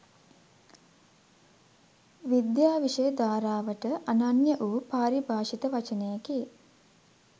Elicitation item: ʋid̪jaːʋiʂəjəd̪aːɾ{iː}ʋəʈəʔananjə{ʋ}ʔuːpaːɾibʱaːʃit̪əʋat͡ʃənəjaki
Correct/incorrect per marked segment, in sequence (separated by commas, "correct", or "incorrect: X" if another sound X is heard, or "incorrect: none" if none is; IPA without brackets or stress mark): incorrect: aː, incorrect: none